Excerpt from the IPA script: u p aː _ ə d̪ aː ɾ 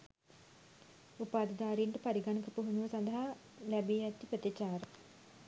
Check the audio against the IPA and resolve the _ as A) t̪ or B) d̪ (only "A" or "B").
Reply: B